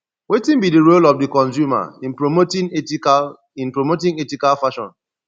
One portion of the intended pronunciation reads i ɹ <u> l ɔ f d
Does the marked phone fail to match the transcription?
yes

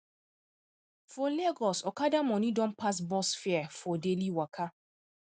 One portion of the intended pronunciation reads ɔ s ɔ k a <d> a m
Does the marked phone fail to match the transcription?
no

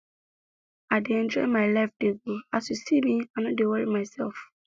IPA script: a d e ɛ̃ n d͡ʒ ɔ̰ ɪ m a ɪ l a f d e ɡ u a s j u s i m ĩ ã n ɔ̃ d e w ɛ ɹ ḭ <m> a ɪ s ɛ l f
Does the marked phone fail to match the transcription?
no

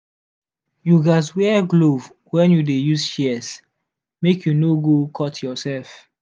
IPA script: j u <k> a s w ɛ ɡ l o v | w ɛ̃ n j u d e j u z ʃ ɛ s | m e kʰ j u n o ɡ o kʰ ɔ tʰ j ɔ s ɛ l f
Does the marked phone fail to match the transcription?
yes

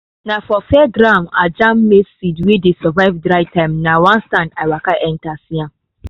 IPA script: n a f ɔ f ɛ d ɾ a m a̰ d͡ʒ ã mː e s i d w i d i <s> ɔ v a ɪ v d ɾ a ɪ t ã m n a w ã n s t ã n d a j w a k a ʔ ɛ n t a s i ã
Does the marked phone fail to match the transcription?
no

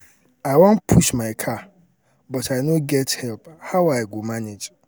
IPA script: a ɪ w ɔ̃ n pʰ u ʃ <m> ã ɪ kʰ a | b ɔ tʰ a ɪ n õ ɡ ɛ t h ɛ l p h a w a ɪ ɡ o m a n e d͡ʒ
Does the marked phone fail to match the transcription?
no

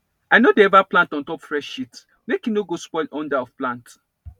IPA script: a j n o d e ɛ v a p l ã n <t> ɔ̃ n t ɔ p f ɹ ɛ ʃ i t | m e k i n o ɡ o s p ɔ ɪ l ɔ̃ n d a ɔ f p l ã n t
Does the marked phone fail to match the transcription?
no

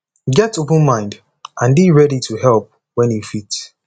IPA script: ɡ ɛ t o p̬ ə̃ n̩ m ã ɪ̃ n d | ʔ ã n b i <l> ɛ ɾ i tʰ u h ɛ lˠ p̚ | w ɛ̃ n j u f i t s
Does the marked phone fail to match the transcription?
yes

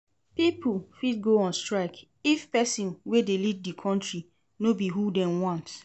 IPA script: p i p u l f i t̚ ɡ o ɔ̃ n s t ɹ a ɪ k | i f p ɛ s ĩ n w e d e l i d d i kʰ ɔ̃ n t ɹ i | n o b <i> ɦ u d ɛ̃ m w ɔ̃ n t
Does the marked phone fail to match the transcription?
no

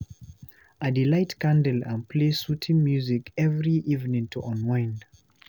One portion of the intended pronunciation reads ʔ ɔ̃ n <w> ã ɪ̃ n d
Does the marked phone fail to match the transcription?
no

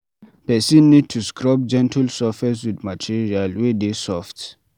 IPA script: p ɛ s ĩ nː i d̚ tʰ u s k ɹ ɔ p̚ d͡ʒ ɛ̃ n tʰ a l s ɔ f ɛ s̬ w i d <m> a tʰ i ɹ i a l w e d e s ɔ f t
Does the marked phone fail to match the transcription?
no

